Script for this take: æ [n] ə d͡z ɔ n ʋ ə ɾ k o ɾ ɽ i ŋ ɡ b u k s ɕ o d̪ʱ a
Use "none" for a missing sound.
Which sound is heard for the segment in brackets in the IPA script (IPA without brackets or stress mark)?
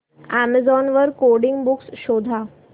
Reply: m